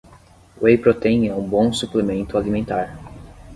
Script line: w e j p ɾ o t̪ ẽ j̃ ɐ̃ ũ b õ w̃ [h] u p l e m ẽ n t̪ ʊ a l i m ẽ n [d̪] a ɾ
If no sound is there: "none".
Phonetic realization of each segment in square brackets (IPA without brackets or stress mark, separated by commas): s, t̪